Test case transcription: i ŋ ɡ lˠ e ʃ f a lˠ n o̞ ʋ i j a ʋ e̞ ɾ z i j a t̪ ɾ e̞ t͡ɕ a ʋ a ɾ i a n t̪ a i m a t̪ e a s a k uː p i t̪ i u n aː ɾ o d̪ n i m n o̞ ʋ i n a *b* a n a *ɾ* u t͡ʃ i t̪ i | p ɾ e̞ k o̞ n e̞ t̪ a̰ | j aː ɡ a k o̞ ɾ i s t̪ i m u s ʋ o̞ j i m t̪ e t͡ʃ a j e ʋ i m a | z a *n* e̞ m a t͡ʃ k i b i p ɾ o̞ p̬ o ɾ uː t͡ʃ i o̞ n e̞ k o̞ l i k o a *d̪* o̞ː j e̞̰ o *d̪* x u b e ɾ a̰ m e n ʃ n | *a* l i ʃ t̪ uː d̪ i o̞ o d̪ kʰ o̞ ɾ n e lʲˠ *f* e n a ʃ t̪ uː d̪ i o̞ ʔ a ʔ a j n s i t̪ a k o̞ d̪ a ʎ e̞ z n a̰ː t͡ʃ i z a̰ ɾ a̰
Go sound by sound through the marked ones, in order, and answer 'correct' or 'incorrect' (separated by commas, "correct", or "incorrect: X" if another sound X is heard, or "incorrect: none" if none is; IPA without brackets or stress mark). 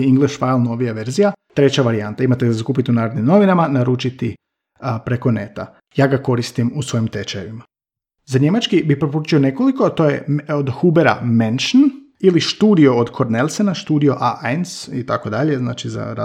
incorrect: m, correct, incorrect: ɲ, incorrect: t̪, correct, incorrect: i, incorrect: s